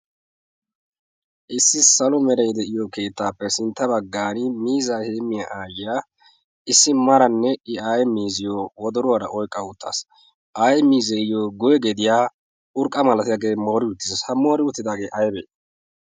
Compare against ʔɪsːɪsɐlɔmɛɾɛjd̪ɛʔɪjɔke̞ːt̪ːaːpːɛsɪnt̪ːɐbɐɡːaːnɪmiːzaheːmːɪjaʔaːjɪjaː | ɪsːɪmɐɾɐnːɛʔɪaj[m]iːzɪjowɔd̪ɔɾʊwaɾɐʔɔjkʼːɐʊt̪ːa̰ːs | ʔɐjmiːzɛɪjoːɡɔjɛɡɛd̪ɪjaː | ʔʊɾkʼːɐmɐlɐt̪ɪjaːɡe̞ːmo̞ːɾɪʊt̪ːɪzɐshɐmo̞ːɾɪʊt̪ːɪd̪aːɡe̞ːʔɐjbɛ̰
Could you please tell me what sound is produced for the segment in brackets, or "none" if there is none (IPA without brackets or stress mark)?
m